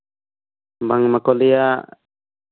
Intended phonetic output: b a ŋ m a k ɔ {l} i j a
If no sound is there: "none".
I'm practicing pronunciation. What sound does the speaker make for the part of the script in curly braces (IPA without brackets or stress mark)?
l